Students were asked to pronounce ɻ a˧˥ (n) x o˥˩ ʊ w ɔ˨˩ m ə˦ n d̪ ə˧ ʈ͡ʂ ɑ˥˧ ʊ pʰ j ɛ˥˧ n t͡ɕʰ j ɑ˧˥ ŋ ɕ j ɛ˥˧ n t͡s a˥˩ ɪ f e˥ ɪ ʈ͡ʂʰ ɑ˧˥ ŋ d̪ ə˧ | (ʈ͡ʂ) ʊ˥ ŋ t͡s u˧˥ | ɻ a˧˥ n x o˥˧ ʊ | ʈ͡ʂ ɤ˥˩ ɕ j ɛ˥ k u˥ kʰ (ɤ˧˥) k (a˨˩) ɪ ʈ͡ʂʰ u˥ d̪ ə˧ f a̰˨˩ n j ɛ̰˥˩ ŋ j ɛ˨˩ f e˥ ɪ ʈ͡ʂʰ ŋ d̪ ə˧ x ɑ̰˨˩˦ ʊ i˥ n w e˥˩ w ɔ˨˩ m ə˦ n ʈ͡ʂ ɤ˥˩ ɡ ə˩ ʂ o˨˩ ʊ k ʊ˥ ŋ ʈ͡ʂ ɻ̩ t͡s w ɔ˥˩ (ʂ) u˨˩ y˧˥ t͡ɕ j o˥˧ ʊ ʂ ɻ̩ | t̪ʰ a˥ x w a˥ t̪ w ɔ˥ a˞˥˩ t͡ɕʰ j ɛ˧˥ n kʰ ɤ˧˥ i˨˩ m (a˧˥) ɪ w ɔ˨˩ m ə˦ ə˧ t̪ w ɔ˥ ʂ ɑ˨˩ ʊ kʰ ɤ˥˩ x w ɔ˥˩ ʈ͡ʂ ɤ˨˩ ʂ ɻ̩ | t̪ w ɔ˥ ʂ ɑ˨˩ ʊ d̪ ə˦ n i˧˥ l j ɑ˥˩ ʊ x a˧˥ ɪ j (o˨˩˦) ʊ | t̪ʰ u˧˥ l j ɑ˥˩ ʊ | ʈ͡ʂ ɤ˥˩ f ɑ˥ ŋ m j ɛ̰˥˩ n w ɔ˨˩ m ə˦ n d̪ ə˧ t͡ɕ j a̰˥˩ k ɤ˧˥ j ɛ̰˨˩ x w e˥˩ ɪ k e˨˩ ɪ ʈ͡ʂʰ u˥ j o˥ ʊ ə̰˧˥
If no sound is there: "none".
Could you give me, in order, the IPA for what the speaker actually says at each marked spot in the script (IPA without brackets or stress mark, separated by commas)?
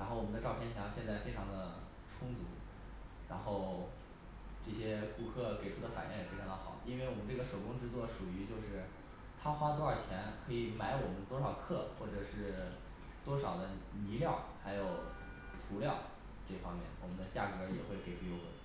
n, ʈ͡ʂʰ, ɤ˥˩, e˨˩, ʂ, a˧˥, o˨˩